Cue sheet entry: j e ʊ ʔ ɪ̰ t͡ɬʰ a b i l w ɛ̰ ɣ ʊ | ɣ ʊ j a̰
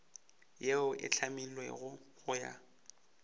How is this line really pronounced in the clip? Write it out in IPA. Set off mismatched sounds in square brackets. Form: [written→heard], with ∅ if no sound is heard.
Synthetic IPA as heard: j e ʊ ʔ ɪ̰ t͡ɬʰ a [b→m] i l w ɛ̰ ɣ ʊ | ɣ ʊ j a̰